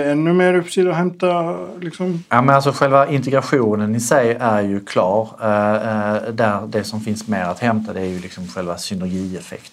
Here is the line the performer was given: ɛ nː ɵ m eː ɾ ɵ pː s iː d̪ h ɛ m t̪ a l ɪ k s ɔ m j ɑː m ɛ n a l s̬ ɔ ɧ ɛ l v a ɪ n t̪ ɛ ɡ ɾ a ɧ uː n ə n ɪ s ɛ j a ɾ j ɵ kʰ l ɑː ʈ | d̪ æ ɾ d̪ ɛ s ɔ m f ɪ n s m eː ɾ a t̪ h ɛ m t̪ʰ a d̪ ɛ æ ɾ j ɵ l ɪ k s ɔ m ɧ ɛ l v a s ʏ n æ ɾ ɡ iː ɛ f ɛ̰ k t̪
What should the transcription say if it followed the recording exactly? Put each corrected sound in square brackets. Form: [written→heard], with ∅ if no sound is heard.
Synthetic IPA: ɛ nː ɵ m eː ɾ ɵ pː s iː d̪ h ɛ m t̪ a l ɪ k s ɔ m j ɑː m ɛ n a l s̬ ɔ ɧ ɛ l v a ɪ n t̪ ɛ ɡ ɾ a ɧ uː n ə n ɪ s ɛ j [a→æ] ɾ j ɵ kʰ l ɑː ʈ | d̪ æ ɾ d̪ ɛ s ɔ m f ɪ n s m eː ɾ a t̪ h ɛ m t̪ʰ a d̪ ɛ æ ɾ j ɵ l ɪ k s ɔ m ɧ ɛ l v a s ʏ n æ ɾ ɡ iː ɛ f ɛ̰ k t̪